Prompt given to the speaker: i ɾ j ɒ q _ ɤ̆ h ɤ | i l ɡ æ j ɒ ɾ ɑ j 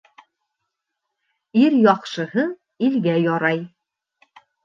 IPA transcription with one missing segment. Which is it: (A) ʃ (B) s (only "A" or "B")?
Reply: A